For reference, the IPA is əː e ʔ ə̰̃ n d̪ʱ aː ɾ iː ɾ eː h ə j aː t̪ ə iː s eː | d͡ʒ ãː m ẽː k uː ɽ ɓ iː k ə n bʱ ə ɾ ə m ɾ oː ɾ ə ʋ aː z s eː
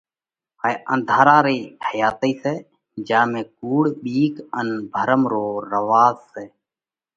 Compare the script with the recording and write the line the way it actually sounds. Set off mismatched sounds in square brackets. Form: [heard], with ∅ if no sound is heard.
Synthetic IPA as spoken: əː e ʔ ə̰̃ n d̪ʱ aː ɾ [aː] ɾ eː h ə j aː t̪ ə iː s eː | d͡ʒ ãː m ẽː k uː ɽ ɓ iː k ə n bʱ ə ɾ ə m ɾ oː ɾ ə ʋ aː z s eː